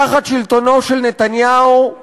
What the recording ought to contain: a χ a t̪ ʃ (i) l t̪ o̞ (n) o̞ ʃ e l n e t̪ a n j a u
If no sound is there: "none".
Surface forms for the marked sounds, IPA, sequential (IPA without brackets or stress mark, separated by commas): i, n